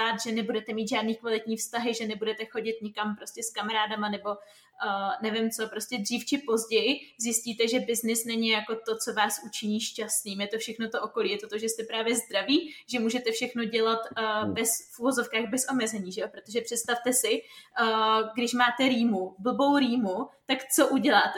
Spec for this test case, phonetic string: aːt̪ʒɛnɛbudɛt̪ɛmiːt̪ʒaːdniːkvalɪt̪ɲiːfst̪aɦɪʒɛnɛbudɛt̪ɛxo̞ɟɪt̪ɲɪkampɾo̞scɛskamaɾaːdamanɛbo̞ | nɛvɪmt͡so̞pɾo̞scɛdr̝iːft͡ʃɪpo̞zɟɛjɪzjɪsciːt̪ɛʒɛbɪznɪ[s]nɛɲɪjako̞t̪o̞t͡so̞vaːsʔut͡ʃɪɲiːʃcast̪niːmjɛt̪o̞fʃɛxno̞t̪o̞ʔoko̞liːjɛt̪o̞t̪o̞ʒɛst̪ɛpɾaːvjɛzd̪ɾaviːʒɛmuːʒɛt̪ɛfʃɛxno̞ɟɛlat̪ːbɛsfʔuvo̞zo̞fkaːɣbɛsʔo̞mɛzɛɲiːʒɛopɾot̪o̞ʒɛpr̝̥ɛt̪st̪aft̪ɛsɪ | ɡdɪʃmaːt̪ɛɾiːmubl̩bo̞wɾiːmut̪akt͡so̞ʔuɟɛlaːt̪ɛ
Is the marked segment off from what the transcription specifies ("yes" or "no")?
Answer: no